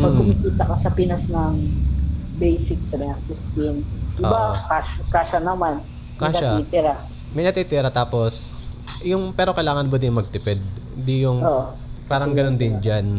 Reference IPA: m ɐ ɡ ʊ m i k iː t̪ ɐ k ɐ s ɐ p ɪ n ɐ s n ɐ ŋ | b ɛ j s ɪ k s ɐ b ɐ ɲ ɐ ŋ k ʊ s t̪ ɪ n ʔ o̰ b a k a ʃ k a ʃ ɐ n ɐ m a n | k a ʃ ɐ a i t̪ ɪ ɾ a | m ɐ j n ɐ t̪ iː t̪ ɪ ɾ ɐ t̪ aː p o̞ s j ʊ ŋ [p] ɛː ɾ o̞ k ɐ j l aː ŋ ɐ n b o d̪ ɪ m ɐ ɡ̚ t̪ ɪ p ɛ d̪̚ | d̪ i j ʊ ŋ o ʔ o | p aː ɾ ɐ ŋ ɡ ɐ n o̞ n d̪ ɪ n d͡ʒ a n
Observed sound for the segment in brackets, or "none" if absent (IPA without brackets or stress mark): p